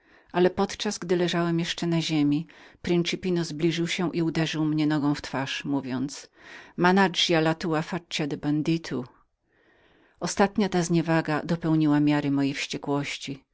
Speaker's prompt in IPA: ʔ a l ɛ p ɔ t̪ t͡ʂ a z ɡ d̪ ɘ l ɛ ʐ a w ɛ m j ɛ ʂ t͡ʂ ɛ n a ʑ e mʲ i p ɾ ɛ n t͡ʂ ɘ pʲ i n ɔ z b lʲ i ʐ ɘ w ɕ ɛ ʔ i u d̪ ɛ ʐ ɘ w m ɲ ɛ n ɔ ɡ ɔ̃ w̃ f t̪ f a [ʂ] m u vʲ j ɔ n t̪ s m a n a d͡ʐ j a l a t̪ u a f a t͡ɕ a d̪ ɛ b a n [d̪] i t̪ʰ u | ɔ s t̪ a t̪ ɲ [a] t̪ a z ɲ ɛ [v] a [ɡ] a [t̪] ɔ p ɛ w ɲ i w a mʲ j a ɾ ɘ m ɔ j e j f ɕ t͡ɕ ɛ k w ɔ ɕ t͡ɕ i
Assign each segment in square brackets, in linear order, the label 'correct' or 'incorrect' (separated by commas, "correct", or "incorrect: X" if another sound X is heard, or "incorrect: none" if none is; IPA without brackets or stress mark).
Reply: correct, correct, correct, correct, correct, incorrect: d̪